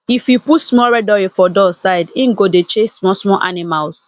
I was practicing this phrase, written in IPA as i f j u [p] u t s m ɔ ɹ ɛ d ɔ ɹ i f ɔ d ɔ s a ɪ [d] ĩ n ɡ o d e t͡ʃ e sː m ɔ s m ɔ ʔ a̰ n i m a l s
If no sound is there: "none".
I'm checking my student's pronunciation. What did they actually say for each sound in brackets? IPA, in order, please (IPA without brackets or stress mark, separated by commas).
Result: p, d